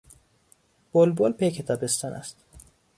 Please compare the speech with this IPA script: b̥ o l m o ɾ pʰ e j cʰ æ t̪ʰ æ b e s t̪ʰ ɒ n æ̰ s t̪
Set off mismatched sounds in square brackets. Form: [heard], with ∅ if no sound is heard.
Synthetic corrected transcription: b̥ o l [b] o [l] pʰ e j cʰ [e] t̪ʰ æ b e s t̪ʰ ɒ n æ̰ s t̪

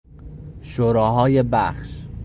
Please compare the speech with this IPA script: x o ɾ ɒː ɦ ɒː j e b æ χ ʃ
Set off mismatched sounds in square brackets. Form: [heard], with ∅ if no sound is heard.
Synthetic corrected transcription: [ʃ] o ɾ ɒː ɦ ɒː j e b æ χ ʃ

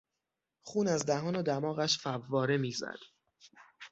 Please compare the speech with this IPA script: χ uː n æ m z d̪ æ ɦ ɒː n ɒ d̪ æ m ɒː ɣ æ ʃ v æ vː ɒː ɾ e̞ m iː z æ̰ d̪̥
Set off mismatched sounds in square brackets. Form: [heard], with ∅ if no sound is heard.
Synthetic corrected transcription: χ uː n æ [∅] z d̪ æ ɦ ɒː n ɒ d̪ æ m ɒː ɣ æ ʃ [f] æ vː ɒː ɾ e̞ m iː z æ̰ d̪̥

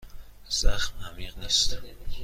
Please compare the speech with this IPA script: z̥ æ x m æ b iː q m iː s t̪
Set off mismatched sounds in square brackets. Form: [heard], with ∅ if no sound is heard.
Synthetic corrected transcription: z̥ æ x m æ [m] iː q [n] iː s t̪

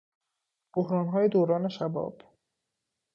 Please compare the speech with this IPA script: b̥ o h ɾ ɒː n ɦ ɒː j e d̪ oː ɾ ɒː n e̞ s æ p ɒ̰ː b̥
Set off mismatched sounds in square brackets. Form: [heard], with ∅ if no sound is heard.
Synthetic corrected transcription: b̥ o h ɾ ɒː n ɦ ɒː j e d̪ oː ɾ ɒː n e̞ [ʃ] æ [b] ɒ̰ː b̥

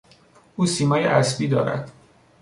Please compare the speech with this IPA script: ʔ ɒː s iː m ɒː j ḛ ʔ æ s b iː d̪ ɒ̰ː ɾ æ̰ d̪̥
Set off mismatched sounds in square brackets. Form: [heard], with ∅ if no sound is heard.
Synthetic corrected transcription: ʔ [uː] s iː m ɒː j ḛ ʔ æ s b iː d̪ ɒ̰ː ɾ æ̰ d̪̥

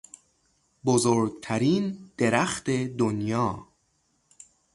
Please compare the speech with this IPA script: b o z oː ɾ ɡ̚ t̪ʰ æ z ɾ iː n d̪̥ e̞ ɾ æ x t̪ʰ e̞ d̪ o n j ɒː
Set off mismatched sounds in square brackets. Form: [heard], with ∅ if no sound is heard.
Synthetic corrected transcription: b o z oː ɾ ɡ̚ t̪ʰ æ [∅] ɾ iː n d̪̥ e̞ ɾ æ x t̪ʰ e̞ d̪ o n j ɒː

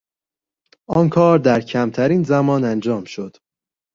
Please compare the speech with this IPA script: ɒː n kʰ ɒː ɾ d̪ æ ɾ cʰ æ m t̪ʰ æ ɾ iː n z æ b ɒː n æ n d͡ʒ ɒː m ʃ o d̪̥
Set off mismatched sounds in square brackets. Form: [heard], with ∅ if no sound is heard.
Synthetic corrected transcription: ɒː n kʰ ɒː ɾ d̪ æ ɾ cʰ æ m t̪ʰ æ ɾ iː n z æ [m] ɒː n æ n d͡ʒ ɒː m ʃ o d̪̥

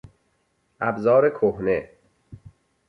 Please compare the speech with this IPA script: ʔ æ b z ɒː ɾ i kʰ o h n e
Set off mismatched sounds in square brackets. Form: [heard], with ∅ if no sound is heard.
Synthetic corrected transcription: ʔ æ b z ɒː ɾ [e] kʰ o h n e

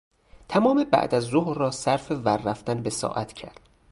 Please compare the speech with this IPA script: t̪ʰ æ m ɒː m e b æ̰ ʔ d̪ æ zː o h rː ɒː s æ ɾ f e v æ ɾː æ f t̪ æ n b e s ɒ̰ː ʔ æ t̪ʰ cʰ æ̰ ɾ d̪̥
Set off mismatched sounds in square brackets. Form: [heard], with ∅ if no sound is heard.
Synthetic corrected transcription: t̪ʰ æ m ɒː m e b æ̰ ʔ d̪ æ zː o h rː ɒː s æ ɾ f e v æ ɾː æ f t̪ æ n b e s ɒ̰ː ʔ æ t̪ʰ cʰ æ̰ ɾ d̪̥

